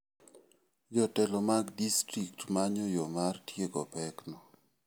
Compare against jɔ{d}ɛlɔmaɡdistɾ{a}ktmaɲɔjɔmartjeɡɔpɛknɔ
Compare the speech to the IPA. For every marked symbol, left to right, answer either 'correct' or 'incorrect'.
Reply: incorrect, incorrect

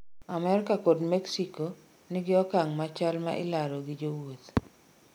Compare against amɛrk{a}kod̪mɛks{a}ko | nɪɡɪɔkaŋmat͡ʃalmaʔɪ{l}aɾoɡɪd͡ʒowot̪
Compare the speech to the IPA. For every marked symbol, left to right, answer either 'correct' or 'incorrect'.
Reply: correct, incorrect, correct

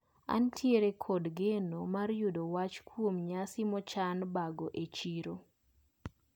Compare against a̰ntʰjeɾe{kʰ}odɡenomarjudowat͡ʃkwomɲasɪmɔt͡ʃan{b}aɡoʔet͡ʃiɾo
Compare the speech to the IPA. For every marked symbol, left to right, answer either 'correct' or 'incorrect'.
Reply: correct, correct

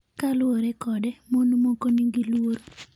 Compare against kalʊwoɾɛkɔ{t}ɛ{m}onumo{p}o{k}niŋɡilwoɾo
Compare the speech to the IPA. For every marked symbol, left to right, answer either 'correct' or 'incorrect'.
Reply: incorrect, correct, incorrect, incorrect

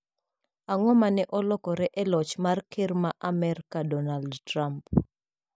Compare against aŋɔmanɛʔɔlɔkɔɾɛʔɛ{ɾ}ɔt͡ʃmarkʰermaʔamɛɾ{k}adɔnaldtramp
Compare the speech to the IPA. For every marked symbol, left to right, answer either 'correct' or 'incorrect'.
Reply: incorrect, correct

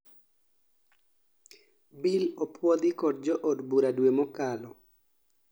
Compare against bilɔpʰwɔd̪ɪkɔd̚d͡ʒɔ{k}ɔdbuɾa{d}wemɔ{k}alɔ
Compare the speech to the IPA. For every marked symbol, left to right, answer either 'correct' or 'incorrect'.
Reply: incorrect, correct, correct

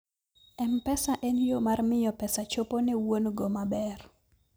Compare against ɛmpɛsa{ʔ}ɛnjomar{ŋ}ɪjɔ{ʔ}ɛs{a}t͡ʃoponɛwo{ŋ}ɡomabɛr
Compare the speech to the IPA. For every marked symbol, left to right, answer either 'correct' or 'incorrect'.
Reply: correct, incorrect, incorrect, correct, incorrect

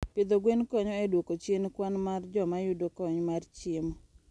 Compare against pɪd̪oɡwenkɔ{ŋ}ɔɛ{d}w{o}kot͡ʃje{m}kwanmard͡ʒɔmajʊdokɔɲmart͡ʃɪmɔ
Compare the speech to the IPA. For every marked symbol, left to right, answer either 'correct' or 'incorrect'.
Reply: incorrect, correct, correct, incorrect

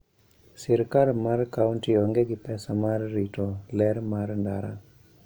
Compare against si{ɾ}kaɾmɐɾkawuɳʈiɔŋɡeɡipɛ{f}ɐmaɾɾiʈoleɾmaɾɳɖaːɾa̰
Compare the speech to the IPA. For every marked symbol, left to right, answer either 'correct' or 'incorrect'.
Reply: correct, incorrect

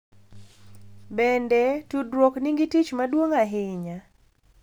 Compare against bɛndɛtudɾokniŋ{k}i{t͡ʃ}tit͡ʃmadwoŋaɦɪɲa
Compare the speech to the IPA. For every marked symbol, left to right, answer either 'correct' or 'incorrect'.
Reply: incorrect, incorrect

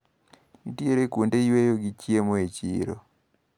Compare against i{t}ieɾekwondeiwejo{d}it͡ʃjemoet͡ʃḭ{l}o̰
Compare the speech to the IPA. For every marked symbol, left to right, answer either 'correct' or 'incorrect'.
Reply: correct, incorrect, incorrect

